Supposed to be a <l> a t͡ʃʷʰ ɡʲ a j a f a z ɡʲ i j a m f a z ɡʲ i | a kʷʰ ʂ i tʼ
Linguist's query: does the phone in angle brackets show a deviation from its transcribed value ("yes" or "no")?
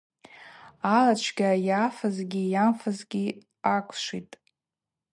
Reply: no